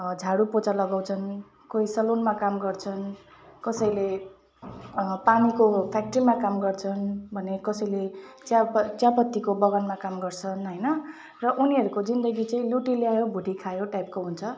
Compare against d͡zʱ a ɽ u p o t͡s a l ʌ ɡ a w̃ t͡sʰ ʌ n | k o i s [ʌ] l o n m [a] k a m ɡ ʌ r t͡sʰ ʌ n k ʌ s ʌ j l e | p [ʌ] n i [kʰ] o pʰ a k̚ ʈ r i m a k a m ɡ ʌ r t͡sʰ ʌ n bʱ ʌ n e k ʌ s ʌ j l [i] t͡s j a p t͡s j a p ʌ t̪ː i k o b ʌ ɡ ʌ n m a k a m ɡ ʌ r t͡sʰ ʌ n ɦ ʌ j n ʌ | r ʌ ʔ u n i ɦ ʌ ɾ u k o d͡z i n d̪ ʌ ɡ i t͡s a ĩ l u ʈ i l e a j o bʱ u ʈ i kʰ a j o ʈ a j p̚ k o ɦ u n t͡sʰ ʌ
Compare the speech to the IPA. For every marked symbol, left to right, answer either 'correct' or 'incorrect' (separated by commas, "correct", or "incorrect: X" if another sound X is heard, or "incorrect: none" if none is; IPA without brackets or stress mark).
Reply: correct, correct, incorrect: a, incorrect: k, incorrect: e